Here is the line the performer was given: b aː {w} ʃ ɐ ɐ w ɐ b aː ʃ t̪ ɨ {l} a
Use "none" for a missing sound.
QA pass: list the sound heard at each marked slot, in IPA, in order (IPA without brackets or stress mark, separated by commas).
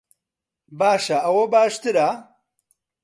none, ɾ